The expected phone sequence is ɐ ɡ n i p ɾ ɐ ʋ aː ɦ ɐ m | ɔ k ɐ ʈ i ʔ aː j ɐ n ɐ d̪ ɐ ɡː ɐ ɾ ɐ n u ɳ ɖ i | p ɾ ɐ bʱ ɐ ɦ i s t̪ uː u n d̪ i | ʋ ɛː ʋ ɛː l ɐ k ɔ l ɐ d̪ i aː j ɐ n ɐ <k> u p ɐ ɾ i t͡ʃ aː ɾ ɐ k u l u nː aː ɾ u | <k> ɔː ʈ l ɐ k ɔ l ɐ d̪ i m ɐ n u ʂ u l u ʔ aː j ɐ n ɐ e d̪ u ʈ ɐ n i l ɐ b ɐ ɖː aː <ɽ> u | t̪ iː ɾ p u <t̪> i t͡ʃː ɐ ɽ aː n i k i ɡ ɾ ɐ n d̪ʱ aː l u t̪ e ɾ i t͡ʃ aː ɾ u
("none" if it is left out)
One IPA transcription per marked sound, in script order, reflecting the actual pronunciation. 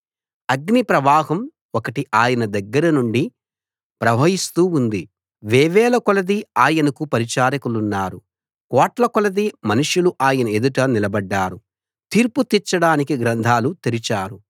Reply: k, k, ɾ, t̪

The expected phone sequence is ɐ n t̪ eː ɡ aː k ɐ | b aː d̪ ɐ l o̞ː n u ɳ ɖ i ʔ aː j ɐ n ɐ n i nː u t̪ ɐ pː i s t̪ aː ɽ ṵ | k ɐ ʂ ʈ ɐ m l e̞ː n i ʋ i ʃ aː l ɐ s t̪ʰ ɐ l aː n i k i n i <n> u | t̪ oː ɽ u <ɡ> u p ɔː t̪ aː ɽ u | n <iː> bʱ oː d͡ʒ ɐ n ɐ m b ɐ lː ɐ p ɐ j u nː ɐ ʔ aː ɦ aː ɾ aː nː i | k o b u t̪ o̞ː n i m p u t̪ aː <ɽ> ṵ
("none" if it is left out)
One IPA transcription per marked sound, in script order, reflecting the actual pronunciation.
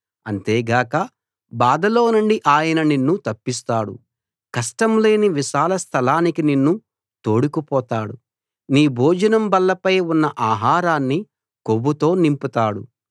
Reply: nː, k, iː, ɽ

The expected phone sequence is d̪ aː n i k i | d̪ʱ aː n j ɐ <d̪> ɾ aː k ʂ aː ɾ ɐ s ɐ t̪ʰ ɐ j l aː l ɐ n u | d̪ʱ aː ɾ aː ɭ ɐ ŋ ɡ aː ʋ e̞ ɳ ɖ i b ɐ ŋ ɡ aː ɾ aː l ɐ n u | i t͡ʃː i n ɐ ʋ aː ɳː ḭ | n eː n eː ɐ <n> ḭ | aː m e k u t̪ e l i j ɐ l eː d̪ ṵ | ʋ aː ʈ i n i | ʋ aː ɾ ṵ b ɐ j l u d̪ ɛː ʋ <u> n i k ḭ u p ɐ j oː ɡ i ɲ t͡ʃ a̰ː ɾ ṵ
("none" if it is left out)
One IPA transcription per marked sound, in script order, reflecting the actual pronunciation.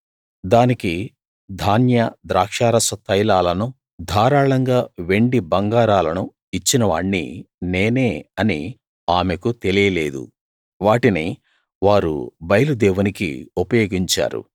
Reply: d̪, n, u

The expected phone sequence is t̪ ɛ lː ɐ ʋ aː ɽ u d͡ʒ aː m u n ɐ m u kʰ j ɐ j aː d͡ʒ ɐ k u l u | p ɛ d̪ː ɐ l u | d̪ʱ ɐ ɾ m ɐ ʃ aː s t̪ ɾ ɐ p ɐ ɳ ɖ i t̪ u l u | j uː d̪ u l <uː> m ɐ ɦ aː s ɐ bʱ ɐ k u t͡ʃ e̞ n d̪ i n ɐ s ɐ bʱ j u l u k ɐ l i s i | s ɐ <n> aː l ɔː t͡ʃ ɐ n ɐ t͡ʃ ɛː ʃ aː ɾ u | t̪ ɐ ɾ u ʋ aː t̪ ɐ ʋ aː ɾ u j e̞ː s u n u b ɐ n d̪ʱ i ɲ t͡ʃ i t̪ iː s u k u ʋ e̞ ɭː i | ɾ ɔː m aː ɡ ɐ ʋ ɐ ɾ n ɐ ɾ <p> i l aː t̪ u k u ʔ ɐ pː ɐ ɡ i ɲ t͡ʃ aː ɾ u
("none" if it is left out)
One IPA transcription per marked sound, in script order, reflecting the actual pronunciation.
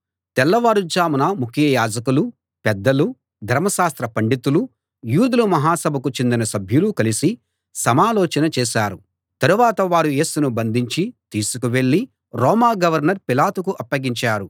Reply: u, m, p

